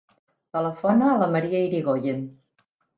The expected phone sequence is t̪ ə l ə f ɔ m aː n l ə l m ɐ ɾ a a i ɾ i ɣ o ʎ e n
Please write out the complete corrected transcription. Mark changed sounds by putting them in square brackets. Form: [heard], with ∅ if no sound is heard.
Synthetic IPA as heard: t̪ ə l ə f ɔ [n] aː [∅] l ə [∅] m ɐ ɾ [i] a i ɾ i ɣ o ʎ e n